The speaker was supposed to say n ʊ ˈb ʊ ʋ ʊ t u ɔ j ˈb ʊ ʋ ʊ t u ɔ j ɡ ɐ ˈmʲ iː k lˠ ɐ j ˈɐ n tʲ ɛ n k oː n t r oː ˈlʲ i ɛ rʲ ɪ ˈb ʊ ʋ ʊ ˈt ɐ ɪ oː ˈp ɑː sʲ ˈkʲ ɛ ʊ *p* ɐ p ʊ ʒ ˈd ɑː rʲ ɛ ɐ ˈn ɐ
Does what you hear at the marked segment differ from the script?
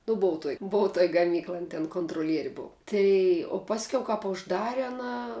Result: yes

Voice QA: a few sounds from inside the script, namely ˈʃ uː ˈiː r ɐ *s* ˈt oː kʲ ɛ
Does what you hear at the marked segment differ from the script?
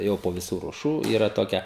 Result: yes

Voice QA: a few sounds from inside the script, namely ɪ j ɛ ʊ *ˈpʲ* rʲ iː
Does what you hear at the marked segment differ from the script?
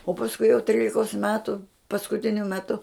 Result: yes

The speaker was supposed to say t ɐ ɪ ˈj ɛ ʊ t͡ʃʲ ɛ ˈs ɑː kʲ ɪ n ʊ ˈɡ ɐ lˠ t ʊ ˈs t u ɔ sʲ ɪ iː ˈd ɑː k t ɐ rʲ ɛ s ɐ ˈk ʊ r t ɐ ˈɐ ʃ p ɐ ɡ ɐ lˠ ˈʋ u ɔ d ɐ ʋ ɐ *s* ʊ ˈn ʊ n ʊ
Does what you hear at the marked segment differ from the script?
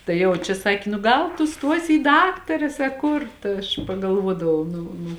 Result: yes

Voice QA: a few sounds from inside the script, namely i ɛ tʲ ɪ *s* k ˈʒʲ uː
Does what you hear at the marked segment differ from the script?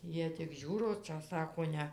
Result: yes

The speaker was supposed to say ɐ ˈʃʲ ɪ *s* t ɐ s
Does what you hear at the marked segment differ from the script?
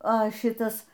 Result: yes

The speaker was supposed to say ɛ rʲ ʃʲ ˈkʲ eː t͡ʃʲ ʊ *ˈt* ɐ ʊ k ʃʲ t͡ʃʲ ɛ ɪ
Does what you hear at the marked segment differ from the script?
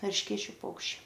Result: yes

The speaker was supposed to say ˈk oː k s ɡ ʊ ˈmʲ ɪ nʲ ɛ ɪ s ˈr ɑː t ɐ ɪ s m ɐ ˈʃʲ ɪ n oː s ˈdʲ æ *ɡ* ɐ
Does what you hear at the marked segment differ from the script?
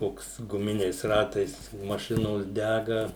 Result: no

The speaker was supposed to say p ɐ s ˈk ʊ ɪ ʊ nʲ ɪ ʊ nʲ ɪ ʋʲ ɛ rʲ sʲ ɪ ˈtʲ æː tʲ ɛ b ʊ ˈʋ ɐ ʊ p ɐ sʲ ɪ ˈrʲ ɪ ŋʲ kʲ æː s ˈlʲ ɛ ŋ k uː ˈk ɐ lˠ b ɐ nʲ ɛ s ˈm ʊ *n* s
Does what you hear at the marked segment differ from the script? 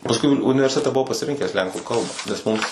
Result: yes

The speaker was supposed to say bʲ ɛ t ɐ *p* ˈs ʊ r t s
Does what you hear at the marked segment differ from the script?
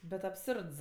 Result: no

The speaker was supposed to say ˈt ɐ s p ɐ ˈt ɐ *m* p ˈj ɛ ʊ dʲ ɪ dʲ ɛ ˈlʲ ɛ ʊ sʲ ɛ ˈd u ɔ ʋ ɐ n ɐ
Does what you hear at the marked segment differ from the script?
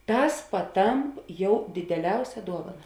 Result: no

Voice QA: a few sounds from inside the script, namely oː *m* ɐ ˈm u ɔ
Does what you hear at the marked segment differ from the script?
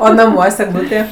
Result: yes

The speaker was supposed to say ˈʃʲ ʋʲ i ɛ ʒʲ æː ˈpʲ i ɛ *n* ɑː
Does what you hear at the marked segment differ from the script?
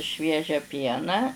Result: no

